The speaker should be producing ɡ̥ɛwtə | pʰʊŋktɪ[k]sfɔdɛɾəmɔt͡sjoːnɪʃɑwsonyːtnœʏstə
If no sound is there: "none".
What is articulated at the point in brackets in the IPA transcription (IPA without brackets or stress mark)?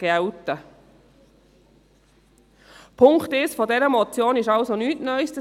none